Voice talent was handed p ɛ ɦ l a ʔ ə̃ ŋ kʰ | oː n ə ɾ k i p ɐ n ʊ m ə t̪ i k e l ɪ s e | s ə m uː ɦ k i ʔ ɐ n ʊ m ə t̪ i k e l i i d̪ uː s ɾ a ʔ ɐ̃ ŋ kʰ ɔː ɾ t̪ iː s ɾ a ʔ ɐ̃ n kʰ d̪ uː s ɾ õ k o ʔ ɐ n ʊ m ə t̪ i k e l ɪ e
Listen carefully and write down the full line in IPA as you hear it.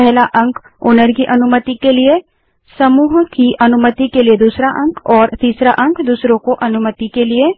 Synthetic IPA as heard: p ɛ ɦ l a ʔ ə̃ ŋ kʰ | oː n ə ɾ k i ʔ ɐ n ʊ m ə t̪ i k e l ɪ e | s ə m uː ɦ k i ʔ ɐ n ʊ m ə t̪ i k e l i e d̪ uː s ɾ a ʔ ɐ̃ ŋ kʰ ɔː ɾ t̪ iː s ɾ a ʔ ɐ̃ ŋ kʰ d̪ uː s ɾ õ k o ʔ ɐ n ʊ m ə t̪ i k e l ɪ e